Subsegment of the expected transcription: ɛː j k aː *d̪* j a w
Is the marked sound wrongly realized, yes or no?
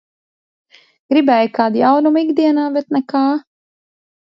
no